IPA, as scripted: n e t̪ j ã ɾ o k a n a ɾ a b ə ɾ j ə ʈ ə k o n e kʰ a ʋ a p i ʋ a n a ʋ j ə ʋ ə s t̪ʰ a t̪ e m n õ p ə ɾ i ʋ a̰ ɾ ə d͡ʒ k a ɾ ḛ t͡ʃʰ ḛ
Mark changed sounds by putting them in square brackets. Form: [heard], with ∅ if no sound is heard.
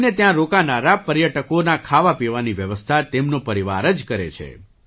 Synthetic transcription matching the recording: n e t̪ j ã ɾ o k a n a ɾ a [p] ə ɾ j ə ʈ ə k o n [a] kʰ a ʋ a p i ʋ a n [i] ʋ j ə ʋ ə s t̪ʰ a t̪ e m n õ p ə ɾ i ʋ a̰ ɾ ə d͡ʒ k [ə] ɾ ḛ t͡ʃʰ ḛ